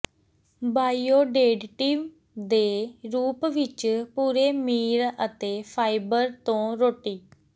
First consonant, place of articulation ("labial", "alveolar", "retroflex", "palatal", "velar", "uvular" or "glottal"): labial